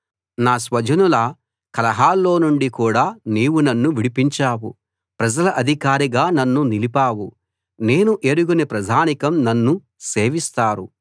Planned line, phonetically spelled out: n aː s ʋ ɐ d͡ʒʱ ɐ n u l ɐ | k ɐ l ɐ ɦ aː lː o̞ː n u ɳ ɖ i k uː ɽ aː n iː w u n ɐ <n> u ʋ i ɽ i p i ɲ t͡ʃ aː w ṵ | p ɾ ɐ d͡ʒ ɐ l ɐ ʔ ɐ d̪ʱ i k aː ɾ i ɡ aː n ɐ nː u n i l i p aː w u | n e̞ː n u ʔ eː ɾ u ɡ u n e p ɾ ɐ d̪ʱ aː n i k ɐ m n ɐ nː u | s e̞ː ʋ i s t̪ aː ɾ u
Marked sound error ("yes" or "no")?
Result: yes